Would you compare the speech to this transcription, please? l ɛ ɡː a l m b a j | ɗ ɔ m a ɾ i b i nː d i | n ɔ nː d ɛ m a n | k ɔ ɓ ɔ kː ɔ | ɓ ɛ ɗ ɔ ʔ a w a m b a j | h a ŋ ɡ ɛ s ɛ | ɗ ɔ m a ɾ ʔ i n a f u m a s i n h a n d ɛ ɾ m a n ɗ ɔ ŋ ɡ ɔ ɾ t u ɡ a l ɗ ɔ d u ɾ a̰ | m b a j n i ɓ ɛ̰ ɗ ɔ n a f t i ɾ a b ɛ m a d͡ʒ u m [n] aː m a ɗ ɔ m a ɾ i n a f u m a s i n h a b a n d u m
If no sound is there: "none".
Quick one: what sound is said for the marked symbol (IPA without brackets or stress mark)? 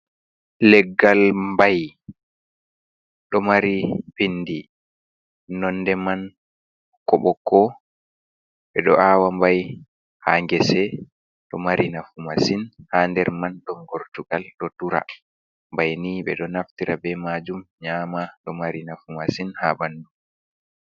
ɲ